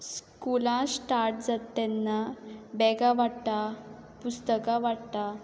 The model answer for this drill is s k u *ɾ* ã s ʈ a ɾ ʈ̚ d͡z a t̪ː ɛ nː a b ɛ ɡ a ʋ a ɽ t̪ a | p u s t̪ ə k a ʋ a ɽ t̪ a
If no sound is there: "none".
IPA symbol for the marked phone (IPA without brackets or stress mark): l